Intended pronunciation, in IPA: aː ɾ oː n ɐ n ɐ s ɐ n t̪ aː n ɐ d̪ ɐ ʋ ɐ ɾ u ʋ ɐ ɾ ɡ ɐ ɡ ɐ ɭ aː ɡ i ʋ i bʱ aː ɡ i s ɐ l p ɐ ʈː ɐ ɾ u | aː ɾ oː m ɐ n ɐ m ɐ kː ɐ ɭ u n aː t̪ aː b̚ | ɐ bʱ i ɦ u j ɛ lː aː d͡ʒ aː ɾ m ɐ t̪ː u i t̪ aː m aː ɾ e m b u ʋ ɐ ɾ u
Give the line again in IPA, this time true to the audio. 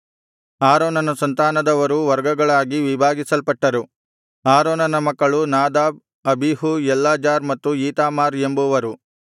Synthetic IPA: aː ɾ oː n ɐ n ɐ s ɐ n t̪ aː n ɐ d̪ ɐ ʋ ɐ ɾ u ʋ ɐ ɾ ɡ ɐ ɡ ɐ ɭ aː ɡ i ʋ i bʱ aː ɡ i s ɐ l p ɐ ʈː ɐ ɾ u | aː ɾ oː n ɐ n ɐ m ɐ kː ɐ ɭ u n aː d̪ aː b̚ | ɐ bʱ i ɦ u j ɛ lː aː d͡ʒ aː ɾ m ɐ t̪ː u iː t̪ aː m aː ɾ e m b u ʋ ɐ ɾ u